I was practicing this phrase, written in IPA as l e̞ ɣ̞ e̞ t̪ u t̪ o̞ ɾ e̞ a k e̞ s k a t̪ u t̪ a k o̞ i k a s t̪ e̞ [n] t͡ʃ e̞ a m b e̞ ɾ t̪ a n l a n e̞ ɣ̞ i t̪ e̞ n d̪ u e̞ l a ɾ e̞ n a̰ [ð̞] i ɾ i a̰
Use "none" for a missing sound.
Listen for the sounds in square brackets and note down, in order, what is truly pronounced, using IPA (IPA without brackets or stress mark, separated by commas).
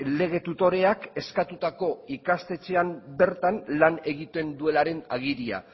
none, ɣ̞